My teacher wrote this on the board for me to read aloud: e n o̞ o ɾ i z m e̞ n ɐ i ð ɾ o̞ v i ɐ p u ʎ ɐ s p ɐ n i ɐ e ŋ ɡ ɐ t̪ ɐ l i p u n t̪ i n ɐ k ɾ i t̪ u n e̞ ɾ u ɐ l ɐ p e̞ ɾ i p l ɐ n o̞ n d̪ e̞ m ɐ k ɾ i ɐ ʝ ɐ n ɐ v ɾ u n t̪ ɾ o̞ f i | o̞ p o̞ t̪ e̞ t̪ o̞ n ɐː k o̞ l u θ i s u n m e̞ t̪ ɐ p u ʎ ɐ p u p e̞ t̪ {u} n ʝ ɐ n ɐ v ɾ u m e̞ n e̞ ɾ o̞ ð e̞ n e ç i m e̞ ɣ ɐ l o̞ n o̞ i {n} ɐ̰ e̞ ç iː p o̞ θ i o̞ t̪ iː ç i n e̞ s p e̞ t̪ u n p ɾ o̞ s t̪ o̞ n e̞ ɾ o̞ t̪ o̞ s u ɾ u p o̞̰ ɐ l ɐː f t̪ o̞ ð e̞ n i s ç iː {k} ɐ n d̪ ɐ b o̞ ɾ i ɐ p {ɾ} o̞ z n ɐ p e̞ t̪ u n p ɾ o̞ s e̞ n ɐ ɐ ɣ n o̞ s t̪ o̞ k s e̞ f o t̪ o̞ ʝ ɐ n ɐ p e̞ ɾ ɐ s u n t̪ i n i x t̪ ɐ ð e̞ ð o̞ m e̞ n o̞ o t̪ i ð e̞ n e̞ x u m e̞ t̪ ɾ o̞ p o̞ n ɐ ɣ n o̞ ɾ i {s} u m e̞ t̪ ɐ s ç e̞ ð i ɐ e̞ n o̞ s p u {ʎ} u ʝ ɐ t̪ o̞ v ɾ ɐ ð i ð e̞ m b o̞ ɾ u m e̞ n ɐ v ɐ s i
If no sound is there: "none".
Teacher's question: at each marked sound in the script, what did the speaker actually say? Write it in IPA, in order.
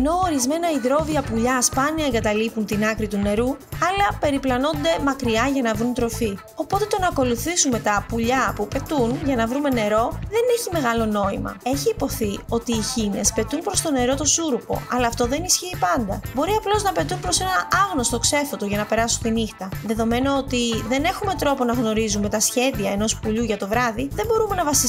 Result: u, m, p, l, z, ʎ

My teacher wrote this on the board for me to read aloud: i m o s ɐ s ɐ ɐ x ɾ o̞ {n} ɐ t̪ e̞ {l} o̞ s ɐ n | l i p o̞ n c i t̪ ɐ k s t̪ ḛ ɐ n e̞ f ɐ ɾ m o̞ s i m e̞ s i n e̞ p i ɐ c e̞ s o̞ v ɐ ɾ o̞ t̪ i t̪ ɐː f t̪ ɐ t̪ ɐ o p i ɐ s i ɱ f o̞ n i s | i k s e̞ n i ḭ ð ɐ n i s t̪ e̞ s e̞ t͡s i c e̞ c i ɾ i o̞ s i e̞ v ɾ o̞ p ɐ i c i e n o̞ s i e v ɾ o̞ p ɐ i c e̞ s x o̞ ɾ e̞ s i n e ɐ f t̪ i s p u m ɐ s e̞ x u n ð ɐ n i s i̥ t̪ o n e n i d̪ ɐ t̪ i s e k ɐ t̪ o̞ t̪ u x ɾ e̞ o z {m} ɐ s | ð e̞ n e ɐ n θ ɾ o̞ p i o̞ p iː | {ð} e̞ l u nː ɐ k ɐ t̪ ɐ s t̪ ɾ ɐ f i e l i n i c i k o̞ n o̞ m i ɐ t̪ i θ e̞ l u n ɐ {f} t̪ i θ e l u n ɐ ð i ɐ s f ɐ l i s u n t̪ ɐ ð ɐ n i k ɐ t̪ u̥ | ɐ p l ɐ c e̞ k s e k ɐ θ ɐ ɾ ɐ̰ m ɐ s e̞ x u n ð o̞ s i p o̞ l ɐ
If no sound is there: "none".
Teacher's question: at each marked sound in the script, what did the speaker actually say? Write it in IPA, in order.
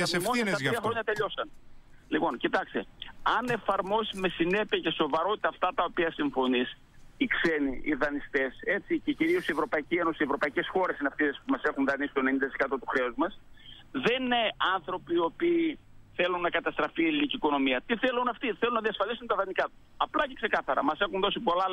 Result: ɲ, ʎ, m, θ, f

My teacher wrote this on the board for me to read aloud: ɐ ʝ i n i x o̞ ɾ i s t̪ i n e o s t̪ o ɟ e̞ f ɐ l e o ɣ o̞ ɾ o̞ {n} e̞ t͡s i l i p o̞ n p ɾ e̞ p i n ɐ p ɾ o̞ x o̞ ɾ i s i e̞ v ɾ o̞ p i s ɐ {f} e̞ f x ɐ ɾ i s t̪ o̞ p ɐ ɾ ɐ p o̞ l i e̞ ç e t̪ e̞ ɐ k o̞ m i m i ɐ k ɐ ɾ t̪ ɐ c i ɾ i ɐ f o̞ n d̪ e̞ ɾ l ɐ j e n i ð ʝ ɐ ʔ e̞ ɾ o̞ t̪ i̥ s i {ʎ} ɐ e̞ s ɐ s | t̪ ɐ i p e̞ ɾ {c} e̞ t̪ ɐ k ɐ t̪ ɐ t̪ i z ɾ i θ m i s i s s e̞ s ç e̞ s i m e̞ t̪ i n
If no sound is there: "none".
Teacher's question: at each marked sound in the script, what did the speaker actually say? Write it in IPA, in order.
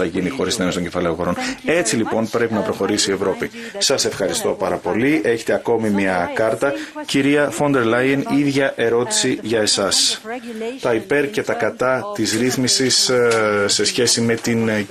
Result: n, s, ʝ, c

